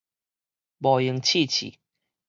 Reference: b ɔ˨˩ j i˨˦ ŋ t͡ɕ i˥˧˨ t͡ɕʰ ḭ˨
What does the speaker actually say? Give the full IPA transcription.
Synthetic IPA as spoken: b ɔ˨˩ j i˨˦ ŋ t͡ɕʰ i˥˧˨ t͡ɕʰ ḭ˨